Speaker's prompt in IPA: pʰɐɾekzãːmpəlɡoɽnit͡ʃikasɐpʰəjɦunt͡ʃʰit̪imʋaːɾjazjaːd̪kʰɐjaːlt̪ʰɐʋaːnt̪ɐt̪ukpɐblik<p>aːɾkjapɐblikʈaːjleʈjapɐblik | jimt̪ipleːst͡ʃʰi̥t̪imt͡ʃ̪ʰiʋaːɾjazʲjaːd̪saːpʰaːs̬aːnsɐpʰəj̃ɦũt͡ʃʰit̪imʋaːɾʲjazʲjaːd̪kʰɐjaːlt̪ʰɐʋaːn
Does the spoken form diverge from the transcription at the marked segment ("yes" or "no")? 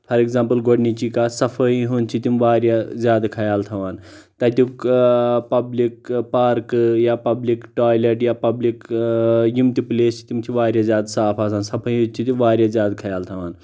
no